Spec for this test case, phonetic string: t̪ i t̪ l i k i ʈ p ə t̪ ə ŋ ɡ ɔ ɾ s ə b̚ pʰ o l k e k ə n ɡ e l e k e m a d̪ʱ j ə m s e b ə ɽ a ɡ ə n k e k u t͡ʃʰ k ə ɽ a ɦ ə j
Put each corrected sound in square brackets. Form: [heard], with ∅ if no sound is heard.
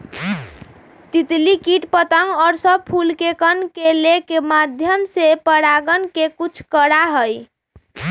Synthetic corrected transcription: t̪ i t̪ l i k i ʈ p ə t̪ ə ŋ ɡ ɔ ɾ s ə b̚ pʰ [u] l k e k ə n [k] e l e k e m a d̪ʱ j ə m s e [p] ə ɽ a ɡ ə n k e k u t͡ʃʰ k ə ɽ a ɦ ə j